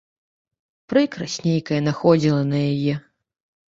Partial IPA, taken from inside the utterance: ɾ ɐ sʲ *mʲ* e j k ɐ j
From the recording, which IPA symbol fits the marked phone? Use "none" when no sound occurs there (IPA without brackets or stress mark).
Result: nʲ